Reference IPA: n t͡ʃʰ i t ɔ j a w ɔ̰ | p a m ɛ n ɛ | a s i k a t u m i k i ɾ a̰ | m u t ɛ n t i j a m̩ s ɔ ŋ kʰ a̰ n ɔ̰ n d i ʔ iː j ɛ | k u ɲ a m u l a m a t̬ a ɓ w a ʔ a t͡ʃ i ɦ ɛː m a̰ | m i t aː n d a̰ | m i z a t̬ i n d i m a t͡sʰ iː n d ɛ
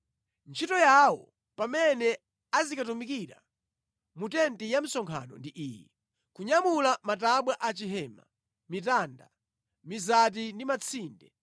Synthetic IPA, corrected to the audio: n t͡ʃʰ i t ɔ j a w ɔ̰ | p a m ɛ n ɛ | a z i k a t u m i k i ɾ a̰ | m u t ɛ n t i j a m̩ s ɔ ŋ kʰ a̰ n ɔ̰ n d i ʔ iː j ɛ | k u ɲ a m u l a m a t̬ a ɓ w a ʔ a t͡ʃ i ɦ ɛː m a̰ | m i t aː n d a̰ | m i z a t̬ i n d i m a t͡sʰ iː n d ɛ